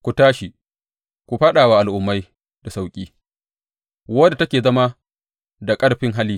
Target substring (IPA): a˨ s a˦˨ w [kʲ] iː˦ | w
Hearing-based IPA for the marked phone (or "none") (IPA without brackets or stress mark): kʲʼ